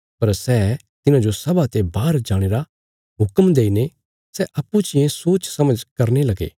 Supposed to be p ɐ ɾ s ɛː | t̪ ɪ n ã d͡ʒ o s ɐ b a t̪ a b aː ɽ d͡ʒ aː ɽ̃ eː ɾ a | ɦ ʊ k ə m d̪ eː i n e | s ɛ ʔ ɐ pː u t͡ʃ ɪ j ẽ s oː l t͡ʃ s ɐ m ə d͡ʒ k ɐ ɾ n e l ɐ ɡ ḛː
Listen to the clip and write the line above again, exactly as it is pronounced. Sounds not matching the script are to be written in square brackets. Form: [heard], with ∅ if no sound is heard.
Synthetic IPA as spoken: p ɐ ɾ s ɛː | t̪ ɪ n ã d͡ʒ o s ɐ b a t̪ [e] b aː [ɾ] d͡ʒ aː ɽ̃ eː ɾ a | ɦ ʊ k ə m d̪ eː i n e | s ɛ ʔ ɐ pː u t͡ʃ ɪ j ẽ s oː [∅] t͡ʃ s ɐ m ə d͡ʒ k ɐ ɾ n e l ɐ ɡ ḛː